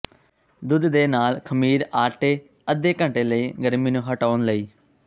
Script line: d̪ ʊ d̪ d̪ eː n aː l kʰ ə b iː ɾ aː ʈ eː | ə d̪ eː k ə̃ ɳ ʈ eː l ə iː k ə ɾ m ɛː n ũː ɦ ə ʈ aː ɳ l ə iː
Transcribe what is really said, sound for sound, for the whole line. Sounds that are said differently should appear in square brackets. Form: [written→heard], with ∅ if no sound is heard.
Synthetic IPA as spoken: d̪ ʊ d̪ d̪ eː n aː l kʰ ə [b→m] iː ɾ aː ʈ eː | ə d̪ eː k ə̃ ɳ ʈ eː l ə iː [k→ɡ] ə ɾ m [ɛː→iː] n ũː ɦ ə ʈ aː [ɳ→n] l ə iː